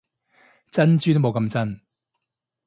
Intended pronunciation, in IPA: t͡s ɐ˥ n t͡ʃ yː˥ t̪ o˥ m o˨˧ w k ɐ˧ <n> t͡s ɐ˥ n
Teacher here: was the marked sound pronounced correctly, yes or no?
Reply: no